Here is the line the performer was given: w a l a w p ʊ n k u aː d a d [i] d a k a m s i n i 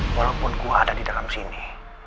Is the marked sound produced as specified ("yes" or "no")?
yes